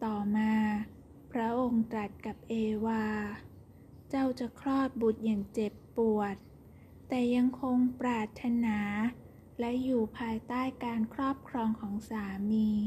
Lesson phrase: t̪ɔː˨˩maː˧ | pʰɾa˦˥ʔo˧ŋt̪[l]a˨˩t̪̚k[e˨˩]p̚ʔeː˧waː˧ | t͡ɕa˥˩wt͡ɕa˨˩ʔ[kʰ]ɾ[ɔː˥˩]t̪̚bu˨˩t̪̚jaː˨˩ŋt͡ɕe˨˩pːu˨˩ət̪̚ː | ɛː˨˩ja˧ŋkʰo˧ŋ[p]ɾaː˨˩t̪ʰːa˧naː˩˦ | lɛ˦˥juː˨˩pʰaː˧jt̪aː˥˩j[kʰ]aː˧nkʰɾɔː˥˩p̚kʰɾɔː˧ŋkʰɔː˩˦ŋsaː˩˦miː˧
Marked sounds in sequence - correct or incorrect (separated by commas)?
incorrect, incorrect, correct, correct, correct, incorrect